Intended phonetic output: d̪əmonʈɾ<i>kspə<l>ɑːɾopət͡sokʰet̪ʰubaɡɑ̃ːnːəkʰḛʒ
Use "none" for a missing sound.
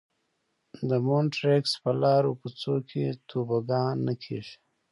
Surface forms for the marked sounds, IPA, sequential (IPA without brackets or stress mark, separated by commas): e, l